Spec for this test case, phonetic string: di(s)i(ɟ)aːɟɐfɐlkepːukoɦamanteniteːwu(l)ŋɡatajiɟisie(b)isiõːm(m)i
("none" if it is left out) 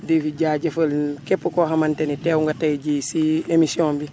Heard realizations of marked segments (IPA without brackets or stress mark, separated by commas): f, ɟ, none, m, b